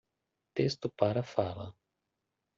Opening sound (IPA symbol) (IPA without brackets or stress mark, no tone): t̪